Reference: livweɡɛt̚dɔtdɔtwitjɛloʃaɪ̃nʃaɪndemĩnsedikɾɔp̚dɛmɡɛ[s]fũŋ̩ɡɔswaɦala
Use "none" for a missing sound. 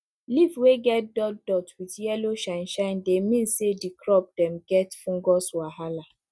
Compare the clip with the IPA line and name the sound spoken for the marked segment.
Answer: t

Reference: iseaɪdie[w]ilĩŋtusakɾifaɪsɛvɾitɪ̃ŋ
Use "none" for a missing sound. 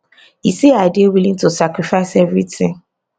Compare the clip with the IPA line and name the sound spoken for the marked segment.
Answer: w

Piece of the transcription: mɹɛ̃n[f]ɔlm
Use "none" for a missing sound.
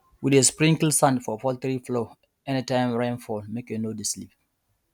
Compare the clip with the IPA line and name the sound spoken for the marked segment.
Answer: f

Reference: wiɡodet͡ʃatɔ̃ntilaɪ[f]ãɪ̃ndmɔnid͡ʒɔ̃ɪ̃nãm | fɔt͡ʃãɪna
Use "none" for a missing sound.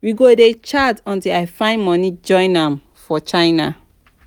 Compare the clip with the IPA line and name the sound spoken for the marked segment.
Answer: f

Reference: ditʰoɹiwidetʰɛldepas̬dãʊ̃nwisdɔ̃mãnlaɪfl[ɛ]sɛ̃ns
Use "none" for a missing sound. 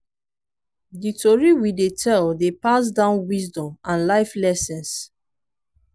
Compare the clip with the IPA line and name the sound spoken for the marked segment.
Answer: ɛ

